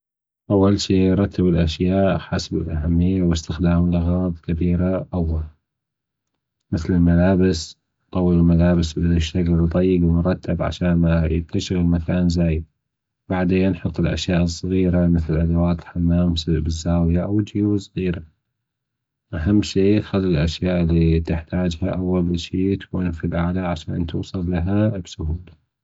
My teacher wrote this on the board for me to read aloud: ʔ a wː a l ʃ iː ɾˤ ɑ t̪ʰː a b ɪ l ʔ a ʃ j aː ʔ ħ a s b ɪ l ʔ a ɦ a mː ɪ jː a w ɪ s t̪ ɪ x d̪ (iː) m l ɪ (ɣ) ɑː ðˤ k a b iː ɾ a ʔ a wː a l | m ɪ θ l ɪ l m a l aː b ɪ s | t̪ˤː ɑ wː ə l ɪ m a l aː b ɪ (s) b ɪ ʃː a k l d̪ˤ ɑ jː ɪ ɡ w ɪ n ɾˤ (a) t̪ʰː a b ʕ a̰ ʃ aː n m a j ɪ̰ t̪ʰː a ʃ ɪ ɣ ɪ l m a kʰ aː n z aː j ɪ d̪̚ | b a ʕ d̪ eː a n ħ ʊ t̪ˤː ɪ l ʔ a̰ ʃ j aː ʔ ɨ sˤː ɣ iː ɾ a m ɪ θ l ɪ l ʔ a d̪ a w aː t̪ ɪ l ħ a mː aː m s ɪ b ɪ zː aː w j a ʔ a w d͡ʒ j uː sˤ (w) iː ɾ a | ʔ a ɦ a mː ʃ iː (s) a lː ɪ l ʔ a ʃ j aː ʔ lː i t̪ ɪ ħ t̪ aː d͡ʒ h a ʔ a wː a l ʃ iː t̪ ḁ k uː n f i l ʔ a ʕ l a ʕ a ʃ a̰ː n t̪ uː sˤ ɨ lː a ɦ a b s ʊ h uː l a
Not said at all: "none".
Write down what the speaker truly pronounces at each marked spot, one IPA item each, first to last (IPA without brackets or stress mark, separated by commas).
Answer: aː, ɣ, s, ɑ, ɣ, x